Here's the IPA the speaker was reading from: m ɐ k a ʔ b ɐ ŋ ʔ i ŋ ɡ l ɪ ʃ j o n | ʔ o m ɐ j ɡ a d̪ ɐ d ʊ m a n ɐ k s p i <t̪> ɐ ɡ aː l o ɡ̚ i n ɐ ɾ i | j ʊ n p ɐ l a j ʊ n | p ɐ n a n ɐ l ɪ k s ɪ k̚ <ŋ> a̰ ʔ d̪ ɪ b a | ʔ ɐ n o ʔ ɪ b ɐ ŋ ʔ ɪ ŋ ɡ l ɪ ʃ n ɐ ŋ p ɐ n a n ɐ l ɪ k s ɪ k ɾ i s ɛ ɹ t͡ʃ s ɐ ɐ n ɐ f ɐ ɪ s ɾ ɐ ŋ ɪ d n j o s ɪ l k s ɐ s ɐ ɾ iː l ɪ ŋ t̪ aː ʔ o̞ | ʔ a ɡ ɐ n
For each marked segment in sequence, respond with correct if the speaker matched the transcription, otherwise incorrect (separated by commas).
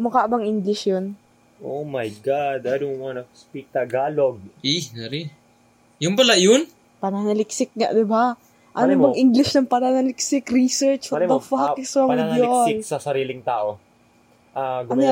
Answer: correct, correct